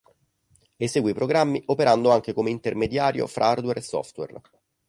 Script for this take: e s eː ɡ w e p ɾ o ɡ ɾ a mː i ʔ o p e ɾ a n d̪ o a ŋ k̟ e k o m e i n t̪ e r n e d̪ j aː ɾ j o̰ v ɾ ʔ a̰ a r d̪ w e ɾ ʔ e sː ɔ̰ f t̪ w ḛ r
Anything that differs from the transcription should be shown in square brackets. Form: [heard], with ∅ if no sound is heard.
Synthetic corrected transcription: e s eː ɡ w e p ɾ o ɡ ɾ a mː i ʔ o p e ɾ a n d̪ o a ŋ k̟ e k o m e i n t̪ e r [m] e d̪ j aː ɾ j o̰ [f] ɾ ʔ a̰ a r d̪ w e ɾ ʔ e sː ɔ̰ f t̪ w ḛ r

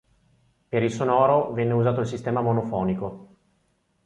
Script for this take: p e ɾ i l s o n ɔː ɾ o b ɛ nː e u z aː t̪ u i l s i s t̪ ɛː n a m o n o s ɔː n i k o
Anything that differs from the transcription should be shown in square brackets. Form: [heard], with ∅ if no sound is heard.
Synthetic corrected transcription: p e ɾ i l s o n ɔː ɾ o [v] ɛ nː e u z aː t̪ [o] i l s i s t̪ ɛː [m] a m o n o [f] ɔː n i k o

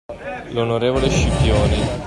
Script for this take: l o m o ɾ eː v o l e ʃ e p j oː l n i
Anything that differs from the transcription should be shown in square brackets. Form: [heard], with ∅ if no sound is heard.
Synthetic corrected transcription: l o [n] o ɾ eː v o l e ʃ [i] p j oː [∅] n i

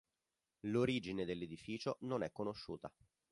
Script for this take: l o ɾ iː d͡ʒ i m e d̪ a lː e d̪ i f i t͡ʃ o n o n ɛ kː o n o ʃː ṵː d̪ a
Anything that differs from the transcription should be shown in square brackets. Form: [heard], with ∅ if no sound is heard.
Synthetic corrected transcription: l o ɾ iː d͡ʒ i [n] e d̪ [e] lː e d̪ i f [iː] t͡ʃ o n o n ɛ kː o n o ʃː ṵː [t̪] a

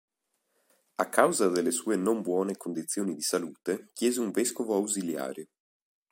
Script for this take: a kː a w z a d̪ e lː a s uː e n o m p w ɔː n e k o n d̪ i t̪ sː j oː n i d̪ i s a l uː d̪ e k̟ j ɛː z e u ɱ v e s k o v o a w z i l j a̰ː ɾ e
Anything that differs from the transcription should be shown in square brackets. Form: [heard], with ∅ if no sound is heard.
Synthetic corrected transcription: a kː a w z a d̪ e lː [e] s uː e n o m [b] w ɔː n e k o n d̪ i t̪ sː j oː n i d̪ i s a l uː [t̪] e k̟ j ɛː z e u ɱ v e s k o v o a w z i l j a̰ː ɾ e

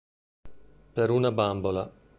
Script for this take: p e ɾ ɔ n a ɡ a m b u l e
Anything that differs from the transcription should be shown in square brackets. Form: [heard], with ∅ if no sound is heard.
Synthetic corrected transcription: p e ɾ [u] n a [b] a m b [o] l [a]

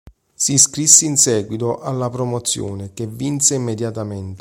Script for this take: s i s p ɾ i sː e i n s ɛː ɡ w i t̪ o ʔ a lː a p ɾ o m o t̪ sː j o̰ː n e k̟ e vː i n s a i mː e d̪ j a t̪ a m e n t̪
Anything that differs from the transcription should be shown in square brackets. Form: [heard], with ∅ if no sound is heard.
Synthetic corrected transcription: s i s [k] ɾ i sː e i n s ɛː ɡ w i t̪ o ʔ a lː a p ɾ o m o t̪ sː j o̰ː n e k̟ e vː i n s [e] i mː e d̪ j a t̪ a m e n t̪

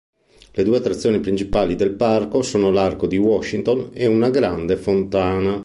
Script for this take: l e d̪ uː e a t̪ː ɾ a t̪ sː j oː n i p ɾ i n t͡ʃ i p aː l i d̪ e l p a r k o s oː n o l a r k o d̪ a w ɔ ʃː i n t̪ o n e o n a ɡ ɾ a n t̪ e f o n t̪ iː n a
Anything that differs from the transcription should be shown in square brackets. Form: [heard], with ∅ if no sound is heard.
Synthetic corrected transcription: l e d̪ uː e a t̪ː ɾ a t̪ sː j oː n i p ɾ i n t͡ʃ i p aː l i d̪ e l p a r k o s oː n o l a r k o d̪ [i] w ɔ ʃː i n t̪ o n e [u] n a ɡ ɾ a n [d̪] e f o n t̪ [aː] n a

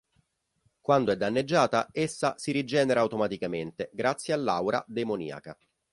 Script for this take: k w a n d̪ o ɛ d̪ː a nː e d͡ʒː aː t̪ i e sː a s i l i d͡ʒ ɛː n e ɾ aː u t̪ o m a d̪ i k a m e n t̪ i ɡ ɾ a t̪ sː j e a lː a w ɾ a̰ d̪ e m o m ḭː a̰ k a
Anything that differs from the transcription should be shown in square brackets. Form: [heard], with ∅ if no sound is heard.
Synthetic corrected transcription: k w a n d̪ o ɛ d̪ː a nː e d͡ʒː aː t̪ [a] e sː a s i [ɾ] i d͡ʒ ɛː n e ɾ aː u t̪ o m a [t̪] i k a m e n t̪ [e] ɡ ɾ a t̪ sː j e a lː a w ɾ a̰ d̪ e m o [n] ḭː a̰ k a

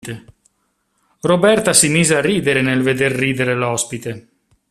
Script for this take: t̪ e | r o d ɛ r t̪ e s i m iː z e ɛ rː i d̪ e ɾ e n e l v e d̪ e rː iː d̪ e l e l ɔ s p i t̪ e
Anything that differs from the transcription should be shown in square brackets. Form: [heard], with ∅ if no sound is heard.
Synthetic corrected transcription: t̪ e | r o [b] ɛ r t̪ [a] s i m iː z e [a] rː [iː] d̪ e ɾ e n e l v e d̪ e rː iː d̪ e [ɾ] e l ɔ s p i t̪ e

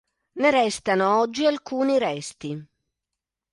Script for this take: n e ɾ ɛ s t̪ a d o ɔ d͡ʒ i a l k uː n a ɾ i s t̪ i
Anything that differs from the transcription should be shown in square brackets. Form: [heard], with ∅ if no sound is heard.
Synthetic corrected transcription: n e ɾ ɛ s t̪ a [n] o ɔ [d͡ʒː] i a l k uː n [i] ɾ [ɛ] s t̪ i

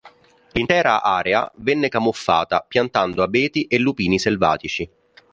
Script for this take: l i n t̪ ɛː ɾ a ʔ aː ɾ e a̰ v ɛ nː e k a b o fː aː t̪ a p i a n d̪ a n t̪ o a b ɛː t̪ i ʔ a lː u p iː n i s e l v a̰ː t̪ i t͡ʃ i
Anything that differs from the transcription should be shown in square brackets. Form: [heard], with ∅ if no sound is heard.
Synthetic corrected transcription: l i n t̪ ɛː ɾ a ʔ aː ɾ e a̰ v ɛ nː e k a [m] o fː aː t̪ a p [j] a n [t̪] a n [d̪] o a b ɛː t̪ i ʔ [e] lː u p iː n i s e l v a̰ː t̪ i t͡ʃ i

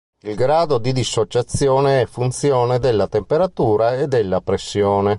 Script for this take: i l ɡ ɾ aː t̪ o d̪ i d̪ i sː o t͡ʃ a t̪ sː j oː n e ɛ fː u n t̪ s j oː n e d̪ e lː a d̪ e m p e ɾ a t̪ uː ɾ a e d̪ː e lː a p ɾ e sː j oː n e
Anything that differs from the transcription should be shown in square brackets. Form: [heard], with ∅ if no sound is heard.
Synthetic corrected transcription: i l ɡ ɾ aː [d̪] o d̪ i d̪ i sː o t͡ʃ a t̪ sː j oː n e ɛ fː u n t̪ s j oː n e d̪ e lː a [t̪] e m p e ɾ a t̪ uː ɾ a e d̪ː e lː a p ɾ e sː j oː n e

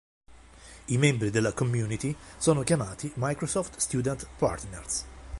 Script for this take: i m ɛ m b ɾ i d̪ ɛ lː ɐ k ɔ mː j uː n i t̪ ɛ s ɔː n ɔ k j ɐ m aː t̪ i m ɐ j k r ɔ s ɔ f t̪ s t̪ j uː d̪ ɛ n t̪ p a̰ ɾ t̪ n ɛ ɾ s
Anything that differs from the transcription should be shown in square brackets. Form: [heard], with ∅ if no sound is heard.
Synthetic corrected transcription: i m ɛ m b ɾ i d̪ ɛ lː ɐ k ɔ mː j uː n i t̪ [i] s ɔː n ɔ k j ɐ m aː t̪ i m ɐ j k [ɾ] ɔ s ɔ f t̪ s t̪ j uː d̪ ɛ n t̪ p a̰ ɾ t̪ n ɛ ɾ s

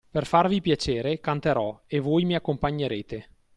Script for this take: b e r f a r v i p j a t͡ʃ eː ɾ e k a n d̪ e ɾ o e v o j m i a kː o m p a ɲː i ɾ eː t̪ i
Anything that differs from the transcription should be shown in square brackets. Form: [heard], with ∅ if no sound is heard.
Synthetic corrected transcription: [p] e r f a r v i p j a t͡ʃ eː ɾ e k a n [t̪] e ɾ [ɔ] e v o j m i a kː o m p a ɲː [e] ɾ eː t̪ [e]

